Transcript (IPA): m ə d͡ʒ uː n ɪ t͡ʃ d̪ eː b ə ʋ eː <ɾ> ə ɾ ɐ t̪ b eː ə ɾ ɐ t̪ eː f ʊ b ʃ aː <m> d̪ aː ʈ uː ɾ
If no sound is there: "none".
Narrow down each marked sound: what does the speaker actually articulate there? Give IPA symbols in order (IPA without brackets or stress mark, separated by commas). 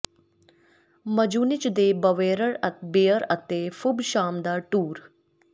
ɾ, m